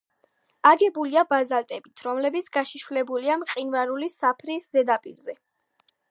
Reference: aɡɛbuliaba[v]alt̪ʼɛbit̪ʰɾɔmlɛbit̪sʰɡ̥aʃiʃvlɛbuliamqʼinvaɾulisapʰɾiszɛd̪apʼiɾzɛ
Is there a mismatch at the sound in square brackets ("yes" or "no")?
yes